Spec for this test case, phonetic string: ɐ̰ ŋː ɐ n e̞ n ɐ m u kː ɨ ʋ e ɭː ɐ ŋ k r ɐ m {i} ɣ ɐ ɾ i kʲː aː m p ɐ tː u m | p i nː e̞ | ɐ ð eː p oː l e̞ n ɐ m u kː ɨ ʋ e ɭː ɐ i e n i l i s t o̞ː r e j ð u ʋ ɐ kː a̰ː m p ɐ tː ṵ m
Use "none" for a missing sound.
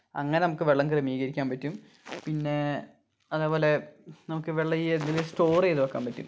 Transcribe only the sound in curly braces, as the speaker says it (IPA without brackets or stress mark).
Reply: iː